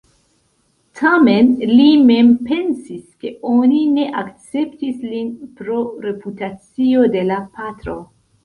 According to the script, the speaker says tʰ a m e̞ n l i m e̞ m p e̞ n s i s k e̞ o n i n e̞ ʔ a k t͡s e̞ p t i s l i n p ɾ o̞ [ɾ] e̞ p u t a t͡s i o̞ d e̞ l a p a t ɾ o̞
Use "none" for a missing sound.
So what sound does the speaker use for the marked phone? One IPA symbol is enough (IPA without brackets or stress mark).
ɾ